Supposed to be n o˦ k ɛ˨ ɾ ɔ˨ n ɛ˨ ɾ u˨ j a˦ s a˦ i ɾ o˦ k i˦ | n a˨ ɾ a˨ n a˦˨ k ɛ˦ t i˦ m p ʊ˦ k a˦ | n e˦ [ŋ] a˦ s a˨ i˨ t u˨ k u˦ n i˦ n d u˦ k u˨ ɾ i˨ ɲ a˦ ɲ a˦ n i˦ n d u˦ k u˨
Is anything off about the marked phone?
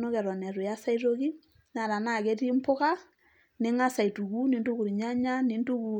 no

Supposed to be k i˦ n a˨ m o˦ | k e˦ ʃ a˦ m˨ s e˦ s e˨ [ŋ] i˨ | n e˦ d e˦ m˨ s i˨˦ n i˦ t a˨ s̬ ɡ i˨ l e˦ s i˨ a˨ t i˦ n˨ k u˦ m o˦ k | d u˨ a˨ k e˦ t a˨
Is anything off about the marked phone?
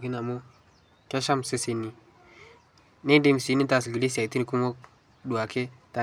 yes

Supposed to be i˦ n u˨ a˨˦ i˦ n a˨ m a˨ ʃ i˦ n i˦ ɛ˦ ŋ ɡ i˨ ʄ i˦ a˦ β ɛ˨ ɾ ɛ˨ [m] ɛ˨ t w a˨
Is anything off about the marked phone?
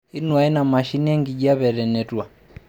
yes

